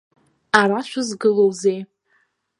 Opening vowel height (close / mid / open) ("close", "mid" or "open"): open